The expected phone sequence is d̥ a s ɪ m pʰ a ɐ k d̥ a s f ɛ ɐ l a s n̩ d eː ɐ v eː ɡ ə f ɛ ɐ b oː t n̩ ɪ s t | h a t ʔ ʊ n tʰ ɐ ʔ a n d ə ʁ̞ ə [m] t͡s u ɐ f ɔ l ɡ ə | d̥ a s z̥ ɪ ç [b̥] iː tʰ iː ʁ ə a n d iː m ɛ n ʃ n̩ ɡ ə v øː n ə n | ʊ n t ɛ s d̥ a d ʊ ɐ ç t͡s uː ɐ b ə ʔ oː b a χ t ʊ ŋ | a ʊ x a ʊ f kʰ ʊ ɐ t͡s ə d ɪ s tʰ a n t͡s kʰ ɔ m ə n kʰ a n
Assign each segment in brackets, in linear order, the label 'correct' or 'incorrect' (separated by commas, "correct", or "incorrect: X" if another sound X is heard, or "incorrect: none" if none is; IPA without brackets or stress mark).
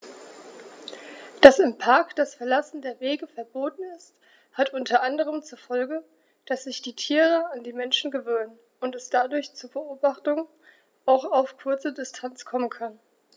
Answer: correct, incorrect: d̥